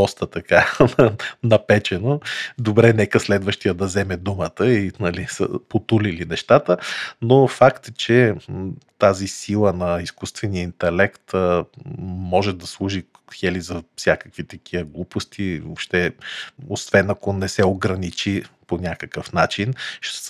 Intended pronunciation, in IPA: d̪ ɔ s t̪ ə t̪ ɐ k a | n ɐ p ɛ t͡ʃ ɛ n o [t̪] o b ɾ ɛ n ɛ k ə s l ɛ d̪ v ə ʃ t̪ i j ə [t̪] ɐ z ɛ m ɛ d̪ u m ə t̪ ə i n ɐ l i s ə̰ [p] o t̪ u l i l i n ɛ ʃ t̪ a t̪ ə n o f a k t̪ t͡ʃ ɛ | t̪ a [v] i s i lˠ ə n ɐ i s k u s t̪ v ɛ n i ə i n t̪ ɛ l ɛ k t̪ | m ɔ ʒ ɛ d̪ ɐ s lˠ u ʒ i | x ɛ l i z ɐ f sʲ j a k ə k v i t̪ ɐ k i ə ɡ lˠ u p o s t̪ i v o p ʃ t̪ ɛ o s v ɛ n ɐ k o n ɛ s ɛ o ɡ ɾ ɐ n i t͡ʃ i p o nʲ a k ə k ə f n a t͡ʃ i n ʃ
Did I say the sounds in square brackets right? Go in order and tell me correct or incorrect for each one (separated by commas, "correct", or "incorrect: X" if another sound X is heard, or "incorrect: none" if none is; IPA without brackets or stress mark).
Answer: incorrect: d̪, incorrect: d̪, correct, incorrect: z